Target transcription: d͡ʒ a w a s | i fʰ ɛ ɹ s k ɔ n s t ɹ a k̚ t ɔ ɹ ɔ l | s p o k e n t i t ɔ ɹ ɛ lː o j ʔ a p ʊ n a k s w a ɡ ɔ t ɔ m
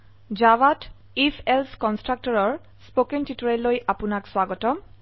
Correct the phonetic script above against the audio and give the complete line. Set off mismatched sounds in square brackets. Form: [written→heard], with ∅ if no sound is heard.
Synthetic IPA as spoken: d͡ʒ a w a [s→t] | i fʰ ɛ [ɹ→l] s k ɔ n s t ɹ a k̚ t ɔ ɹ ɔ [l→ɹ] | s p o k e n t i t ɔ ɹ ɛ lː o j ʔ a p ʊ n a k s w a ɡ ɔ t ɔ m

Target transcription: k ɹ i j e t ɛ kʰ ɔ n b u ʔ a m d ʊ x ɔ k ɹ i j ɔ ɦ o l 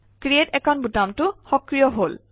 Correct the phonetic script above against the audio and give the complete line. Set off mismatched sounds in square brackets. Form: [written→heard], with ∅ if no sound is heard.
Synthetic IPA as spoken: k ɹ i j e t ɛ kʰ ɔ n b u [ʔ→t] a m [d→t] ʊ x ɔ k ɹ i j ɔ ɦ o l

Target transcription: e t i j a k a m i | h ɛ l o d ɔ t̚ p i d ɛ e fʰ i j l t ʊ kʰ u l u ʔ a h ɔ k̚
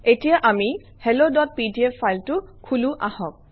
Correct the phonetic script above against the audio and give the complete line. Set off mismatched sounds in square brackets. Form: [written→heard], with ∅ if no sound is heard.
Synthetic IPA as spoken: e t i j a [k→ʔ] a m i | h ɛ l o d ɔ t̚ p i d [ɛ→i] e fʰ [i→a] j l t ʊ kʰ u l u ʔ a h ɔ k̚

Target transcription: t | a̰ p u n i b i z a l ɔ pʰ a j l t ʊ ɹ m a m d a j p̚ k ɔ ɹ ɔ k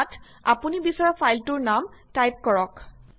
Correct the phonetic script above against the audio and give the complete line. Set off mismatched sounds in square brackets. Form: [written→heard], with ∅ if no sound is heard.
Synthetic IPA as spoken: t | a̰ p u n i b i [z→s] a [l→ɹ] ɔ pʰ a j l t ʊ ɹ [m→n] a m [d→t] a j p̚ k ɔ ɹ ɔ k

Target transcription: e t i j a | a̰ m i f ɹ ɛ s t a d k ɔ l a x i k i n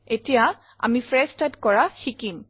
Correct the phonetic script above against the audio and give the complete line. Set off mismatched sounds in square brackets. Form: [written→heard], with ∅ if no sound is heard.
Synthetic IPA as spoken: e t i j a | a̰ m i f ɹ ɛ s t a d k ɔ [l→ɹ] a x i k i [n→m]

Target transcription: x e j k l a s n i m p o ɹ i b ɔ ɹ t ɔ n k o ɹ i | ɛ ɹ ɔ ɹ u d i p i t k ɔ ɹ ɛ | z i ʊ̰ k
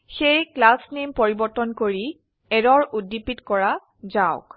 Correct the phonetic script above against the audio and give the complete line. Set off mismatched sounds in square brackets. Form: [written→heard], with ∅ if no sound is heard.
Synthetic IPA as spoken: x e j k l a s n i m p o ɹ i b ɔ ɹ t ɔ n k o ɹ i | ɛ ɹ ɔ ɹ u d i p i t k ɔ ɹ [ɛ→a] | z [i→a] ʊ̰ k

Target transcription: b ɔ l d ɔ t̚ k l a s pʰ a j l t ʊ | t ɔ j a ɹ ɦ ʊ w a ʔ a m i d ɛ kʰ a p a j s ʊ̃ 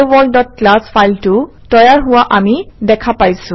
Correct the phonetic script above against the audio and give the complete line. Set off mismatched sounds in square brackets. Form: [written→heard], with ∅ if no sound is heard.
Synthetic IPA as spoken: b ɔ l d ɔ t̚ k l a s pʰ a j l t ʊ | t ɔ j a ɹ ɦ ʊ w a ʔ a m i d ɛ kʰ a p a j s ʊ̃

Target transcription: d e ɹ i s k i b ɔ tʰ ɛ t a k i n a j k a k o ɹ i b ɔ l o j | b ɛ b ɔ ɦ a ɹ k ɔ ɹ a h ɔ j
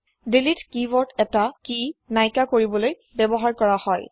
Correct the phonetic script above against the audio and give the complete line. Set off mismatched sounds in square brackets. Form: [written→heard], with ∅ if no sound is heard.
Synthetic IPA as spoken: d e [ɹ→l] i [s→t] k i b ɔ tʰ ɛ t a k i n a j k a k o ɹ i b ɔ l o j | b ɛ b ɔ ɦ a ɹ k ɔ ɹ a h ɔ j

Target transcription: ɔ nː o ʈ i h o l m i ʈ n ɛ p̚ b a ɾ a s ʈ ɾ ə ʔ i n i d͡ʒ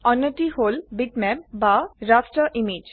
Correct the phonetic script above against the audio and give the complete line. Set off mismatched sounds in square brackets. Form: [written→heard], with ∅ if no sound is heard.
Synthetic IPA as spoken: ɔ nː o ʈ i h o l [m→b] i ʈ [n→m] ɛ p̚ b a ɾ a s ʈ ɾ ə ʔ i [n→m] i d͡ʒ

